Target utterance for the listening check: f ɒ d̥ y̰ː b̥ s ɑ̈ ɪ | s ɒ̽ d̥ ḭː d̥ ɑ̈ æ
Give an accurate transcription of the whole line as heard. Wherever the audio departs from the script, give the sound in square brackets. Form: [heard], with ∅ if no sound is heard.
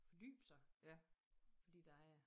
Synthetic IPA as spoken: f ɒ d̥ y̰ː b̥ s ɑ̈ ɪ | [f] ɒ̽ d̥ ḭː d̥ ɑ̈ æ